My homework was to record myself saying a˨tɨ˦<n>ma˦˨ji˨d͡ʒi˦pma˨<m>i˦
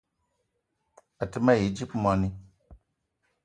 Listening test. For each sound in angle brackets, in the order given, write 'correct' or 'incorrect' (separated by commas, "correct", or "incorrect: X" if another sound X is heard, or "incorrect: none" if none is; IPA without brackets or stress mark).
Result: incorrect: none, incorrect: n